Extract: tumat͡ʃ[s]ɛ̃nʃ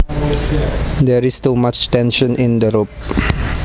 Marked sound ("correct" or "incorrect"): incorrect